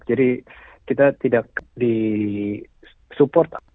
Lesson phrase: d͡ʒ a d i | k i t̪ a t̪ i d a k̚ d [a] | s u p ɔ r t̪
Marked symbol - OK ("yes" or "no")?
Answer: no